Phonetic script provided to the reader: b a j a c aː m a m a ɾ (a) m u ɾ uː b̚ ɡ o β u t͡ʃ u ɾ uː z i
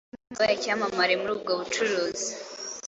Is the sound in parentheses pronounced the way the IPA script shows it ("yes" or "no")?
no